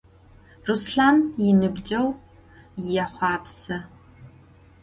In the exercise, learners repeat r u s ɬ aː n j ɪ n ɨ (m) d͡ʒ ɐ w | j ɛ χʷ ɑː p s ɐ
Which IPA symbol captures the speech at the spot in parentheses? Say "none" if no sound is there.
b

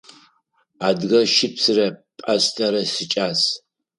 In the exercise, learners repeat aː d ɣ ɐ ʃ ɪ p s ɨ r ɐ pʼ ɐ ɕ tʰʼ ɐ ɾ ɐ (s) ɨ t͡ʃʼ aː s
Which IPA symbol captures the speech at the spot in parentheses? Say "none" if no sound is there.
s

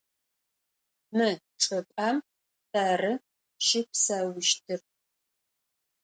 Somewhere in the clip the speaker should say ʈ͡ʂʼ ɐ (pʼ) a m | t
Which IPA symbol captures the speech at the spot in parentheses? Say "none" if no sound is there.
pʼ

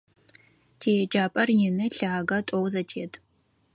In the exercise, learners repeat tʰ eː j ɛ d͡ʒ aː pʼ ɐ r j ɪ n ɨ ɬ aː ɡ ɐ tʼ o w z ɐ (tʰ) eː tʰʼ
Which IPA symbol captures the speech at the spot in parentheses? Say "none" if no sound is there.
tʰ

